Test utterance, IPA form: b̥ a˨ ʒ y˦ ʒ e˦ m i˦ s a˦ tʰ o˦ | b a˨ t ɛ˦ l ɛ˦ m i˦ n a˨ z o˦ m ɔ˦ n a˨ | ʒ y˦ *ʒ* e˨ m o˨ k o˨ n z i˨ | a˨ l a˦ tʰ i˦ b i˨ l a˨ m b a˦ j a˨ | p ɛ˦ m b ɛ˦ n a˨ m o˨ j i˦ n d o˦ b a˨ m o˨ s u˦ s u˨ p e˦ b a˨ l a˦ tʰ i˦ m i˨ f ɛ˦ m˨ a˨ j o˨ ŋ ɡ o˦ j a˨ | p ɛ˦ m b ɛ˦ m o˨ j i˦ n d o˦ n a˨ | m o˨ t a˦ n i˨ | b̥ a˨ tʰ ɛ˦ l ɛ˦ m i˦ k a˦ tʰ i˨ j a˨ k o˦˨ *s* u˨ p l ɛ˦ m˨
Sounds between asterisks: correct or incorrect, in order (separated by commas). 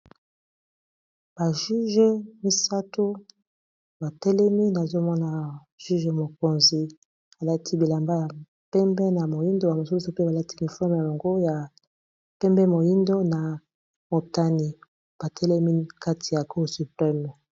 correct, correct